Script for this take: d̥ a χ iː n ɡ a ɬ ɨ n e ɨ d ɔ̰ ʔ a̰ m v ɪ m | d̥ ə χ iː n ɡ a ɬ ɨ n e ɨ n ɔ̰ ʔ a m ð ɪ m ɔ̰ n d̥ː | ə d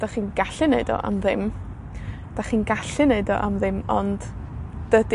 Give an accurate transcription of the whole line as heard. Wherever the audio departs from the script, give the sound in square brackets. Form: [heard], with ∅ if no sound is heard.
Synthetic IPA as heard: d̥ a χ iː n ɡ a ɬ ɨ n e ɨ d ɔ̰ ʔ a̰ m [ð] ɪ m | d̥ [a] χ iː n ɡ a ɬ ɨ n e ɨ [d] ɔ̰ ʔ a m ð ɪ m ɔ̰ n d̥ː | ə d